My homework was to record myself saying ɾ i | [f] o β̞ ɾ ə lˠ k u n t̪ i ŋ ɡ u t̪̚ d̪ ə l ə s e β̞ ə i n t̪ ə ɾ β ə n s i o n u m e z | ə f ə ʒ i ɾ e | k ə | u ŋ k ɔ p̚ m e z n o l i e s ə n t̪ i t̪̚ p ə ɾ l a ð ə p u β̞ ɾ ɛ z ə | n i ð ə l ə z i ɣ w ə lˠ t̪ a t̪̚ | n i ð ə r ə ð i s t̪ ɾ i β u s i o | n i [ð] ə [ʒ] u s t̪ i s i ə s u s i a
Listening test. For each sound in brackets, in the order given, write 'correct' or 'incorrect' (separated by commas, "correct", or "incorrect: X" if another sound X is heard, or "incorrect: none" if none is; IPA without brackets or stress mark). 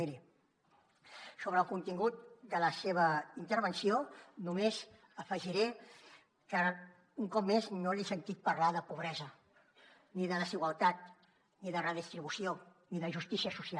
incorrect: s, correct, correct